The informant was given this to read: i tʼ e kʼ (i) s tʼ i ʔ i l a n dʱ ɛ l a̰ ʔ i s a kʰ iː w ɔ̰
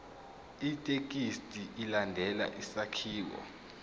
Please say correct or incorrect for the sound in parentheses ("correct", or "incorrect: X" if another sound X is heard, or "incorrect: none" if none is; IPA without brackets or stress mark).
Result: correct